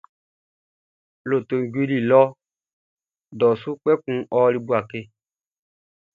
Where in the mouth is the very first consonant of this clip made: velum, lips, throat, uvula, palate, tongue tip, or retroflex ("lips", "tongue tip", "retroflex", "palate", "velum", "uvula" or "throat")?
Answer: tongue tip